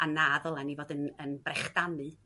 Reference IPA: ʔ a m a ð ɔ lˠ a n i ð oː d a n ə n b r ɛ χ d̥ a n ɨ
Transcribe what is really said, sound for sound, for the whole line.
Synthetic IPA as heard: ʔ a n a ð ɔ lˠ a n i v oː d ə n ə n b r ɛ χ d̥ a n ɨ